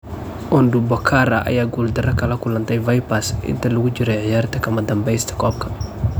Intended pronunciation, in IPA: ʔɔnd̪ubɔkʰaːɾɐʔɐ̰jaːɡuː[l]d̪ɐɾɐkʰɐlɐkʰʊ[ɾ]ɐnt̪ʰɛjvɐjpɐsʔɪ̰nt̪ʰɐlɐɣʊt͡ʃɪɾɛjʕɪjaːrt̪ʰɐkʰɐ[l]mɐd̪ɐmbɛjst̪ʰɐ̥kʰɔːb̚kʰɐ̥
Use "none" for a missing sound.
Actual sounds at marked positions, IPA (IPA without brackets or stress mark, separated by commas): l, l, none